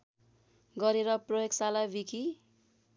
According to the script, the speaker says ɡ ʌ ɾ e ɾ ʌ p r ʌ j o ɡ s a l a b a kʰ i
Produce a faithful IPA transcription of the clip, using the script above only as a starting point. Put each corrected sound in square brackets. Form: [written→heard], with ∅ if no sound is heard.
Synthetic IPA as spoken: ɡ ʌ ɾ e ɾ ʌ p r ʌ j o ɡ s a l a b [a→i] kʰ i